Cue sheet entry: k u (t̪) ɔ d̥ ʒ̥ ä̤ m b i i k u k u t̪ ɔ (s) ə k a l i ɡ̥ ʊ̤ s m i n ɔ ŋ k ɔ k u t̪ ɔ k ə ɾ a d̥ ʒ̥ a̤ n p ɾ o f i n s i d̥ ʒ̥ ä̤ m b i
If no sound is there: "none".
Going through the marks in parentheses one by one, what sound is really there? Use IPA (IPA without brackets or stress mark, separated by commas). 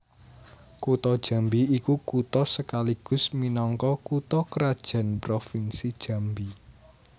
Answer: t̪, s